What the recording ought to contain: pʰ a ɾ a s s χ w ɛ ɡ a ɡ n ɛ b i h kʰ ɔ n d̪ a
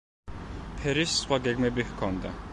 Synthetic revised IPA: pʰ ɛ ɾ i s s χ w a ɡ ɛ ɡ m ɛ b i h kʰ ɔ n d̪ a